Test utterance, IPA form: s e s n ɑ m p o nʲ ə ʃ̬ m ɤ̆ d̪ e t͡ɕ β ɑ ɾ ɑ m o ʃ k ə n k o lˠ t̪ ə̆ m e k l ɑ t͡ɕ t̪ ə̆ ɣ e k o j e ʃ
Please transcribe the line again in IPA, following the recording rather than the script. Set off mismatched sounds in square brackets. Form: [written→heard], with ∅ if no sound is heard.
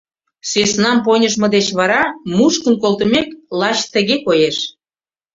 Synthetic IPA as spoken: s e s n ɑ m p o nʲ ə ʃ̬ m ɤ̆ d̪ e t͡ɕ β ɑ ɾ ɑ m [o→u] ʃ k ə n k o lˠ t̪ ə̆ m e k l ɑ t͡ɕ t̪ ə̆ ɣ e k o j e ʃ